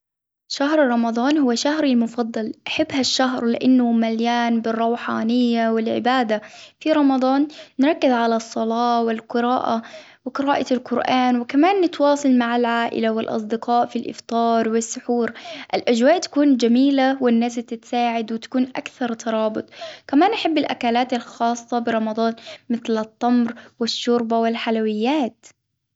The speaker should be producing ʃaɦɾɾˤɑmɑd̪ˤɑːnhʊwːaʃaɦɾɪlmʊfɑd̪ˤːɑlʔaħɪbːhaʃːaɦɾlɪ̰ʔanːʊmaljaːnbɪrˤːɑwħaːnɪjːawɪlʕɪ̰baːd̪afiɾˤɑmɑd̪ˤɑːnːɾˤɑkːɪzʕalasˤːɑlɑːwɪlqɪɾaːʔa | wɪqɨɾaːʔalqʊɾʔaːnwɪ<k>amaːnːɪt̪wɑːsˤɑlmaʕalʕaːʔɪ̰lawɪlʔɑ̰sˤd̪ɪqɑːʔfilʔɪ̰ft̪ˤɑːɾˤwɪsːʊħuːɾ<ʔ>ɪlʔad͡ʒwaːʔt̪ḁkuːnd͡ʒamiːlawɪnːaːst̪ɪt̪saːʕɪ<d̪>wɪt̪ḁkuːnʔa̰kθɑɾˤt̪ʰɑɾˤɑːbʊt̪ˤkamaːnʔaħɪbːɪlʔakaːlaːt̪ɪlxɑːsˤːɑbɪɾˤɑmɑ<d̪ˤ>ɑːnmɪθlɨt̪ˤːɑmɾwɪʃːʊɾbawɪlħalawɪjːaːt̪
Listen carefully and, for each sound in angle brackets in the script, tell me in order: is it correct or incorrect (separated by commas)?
correct, correct, correct, correct